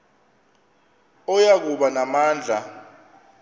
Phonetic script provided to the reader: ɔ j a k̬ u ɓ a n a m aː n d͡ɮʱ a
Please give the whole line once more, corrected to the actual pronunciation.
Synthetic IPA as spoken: ɔ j a k̬ u ɓ a n a m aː n d͡ɮʱ a